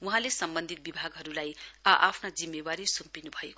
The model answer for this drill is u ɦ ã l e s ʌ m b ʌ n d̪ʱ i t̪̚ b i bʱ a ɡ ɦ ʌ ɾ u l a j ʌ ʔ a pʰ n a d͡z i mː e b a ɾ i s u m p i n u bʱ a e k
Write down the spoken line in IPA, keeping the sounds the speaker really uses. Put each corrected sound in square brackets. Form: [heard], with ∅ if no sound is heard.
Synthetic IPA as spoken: u ɦ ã l e s ʌ m b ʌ n d̪ʱ i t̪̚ b i bʱ a ɡ ɦ ʌ ɾ u l a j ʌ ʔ a pʰ n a d͡z i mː e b a ɾ i s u m p i n u bʱ [ʌ] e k

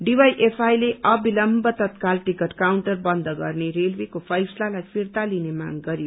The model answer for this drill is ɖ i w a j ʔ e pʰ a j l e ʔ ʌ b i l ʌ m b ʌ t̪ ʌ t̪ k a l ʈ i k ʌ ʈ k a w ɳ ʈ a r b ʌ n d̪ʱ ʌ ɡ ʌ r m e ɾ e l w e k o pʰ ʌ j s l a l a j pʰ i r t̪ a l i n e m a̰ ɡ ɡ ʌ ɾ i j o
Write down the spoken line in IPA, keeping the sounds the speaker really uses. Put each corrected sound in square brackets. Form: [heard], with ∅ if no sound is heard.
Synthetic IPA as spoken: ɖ i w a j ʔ e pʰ a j l e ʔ ʌ b i l ʌ m b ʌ t̪ ʌ t̪ k a l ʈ i k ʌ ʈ k a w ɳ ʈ [ʌ] r b ʌ n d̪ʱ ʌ ɡ ʌ r [n] e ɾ e l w e k o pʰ ʌ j s l a l a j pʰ i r t̪ a l i n e m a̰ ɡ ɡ ʌ ɾ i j o

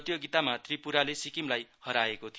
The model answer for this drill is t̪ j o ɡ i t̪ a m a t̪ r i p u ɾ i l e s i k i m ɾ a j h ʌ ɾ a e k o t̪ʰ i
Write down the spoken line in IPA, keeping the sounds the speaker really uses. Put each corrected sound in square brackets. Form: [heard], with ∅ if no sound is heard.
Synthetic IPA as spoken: t̪ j o ɡ i t̪ a m a t̪ r i p u ɾ [a] l e s i k i m [l] a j h ʌ ɾ a e k o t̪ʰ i

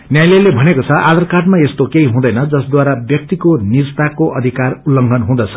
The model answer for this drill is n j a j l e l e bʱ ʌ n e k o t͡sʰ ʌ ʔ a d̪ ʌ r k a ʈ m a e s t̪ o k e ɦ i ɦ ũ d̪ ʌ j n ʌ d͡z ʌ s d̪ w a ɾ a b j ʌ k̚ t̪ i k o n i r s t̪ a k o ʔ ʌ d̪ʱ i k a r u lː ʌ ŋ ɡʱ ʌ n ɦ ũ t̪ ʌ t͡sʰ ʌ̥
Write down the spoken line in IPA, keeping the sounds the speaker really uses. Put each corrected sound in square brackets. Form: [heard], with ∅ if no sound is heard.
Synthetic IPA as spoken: n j a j l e l e bʱ ʌ n e k o t͡sʰ ʌ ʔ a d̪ ʌ r k a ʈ m a e s t̪ o k e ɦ i ɦ ũ d̪ ʌ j n ʌ d͡z ʌ s d̪ w a ɾ a b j ʌ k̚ t̪ i k o n i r s t̪ a k o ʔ ʌ d̪ʱ i k a r u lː ʌ ŋ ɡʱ ʌ n ɦ ũ [d̪] ʌ t͡sʰ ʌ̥

